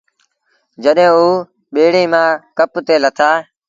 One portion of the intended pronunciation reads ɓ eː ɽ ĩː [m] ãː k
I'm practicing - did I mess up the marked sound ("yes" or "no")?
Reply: no